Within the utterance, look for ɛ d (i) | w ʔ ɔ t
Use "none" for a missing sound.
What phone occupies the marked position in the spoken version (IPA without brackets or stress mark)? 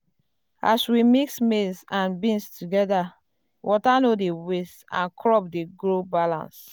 a